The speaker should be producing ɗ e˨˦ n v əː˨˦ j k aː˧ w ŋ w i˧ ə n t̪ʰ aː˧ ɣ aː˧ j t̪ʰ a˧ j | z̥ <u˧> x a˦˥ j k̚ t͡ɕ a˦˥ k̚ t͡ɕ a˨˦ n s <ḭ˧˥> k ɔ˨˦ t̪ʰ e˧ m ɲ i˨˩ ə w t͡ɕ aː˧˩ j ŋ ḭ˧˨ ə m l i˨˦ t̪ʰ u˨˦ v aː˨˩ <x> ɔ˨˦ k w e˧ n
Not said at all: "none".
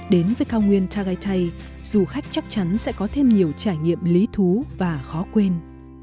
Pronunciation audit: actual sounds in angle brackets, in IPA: u˨˩, ɛ̰˧˥, x

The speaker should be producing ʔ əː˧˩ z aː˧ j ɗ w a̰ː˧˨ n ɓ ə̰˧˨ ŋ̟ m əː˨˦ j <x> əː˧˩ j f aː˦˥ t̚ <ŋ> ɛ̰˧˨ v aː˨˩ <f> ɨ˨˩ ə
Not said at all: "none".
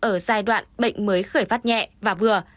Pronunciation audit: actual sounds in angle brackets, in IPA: x, ɲ, v

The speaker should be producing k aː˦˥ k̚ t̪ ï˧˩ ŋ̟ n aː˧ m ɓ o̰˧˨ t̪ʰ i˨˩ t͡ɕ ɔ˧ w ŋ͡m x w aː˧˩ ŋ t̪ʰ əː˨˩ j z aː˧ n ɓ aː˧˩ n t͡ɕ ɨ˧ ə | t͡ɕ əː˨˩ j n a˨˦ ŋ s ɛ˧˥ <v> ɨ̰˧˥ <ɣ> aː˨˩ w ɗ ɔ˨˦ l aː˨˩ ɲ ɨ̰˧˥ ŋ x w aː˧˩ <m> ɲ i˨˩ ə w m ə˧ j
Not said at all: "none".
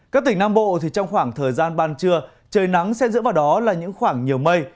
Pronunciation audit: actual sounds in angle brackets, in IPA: z, v, ŋ

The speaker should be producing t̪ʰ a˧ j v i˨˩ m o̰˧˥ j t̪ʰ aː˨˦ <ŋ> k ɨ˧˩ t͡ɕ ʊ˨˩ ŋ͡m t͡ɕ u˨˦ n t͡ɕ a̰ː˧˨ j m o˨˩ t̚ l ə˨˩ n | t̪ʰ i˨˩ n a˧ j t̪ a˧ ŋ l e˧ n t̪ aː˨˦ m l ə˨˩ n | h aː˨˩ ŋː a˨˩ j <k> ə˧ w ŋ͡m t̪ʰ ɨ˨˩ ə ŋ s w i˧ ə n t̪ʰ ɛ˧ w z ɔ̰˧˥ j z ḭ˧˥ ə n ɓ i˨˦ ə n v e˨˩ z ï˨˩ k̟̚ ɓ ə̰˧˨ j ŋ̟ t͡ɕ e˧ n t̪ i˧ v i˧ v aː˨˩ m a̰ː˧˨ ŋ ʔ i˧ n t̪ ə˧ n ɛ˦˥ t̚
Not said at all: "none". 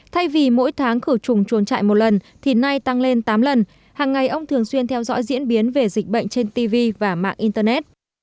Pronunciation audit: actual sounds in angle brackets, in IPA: ŋ, ʔ

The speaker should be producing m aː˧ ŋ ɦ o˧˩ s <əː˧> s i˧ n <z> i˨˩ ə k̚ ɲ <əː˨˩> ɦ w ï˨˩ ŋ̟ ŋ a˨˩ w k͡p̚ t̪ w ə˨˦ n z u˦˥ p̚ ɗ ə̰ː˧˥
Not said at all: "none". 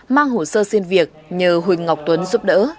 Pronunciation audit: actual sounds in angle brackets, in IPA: əː˧, v, əː˨˩

